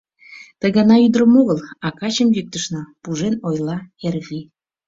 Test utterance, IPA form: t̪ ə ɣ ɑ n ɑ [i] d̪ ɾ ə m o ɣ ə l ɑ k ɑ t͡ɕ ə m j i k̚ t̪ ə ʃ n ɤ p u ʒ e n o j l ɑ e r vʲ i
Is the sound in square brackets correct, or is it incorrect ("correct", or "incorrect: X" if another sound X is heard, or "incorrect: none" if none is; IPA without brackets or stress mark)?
incorrect: y